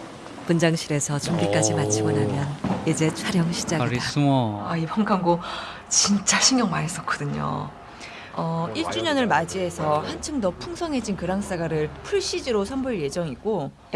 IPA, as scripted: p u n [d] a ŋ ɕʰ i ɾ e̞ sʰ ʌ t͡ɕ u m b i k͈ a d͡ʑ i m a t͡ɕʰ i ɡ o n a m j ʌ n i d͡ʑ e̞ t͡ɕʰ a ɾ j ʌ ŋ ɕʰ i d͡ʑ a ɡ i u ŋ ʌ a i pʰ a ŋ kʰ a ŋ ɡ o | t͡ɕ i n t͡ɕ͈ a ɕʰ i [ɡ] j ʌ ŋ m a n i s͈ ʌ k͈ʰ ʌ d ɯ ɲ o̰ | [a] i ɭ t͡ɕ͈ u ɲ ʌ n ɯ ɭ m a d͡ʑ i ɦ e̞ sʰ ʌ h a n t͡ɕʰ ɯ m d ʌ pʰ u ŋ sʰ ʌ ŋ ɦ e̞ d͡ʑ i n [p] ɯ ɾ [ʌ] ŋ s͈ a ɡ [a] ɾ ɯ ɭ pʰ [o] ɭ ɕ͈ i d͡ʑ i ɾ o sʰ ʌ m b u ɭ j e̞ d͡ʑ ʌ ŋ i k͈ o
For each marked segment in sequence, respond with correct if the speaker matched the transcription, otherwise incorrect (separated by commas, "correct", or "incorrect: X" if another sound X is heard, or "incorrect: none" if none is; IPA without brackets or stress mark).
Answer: incorrect: d͡ʑ, incorrect: ŋ, incorrect: ʌ, incorrect: k, incorrect: a, correct, incorrect: u